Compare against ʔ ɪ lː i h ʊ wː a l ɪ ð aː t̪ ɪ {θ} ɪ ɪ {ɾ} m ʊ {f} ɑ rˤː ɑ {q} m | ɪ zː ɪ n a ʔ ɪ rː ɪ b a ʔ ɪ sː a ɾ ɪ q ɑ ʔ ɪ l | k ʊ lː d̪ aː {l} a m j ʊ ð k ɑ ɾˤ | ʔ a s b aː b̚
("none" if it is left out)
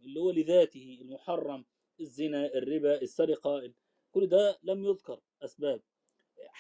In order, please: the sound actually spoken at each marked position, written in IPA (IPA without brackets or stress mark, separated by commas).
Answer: h, l, ħ, none, l